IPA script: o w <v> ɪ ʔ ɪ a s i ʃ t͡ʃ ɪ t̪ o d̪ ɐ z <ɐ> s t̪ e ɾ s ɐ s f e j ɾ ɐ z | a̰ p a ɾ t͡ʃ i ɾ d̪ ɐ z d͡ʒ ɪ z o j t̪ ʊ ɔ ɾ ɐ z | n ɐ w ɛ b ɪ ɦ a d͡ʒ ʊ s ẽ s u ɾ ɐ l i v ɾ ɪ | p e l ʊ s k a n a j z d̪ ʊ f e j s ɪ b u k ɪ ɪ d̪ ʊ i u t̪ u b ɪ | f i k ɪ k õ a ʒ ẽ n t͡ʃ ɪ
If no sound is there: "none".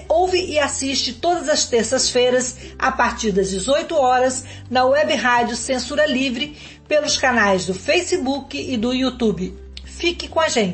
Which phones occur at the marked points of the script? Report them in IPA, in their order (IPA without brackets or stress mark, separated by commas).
v, ɐ